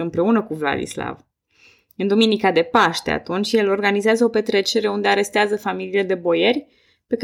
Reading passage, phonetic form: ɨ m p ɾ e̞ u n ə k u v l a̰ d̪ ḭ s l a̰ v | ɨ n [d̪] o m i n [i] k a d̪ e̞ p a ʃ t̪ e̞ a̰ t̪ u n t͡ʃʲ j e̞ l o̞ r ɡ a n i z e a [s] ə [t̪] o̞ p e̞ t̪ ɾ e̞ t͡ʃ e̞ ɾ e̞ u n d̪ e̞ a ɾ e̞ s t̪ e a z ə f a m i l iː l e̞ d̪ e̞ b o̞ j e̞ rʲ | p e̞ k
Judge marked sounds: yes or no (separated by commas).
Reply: yes, yes, no, no